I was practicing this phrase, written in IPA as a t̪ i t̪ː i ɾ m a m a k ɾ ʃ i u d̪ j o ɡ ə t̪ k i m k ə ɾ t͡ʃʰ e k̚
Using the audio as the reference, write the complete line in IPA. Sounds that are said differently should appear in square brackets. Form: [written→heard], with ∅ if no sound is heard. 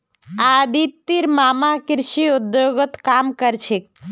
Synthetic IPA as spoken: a [t̪→d̪] i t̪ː i ɾ m a m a k ɾ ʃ i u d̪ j o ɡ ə t̪ k [i→a] m k ə ɾ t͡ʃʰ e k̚